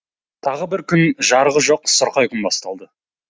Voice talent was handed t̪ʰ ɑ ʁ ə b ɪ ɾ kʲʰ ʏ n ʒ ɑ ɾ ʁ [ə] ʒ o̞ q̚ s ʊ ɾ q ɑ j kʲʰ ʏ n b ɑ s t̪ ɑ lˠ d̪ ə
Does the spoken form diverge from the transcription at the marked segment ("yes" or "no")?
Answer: no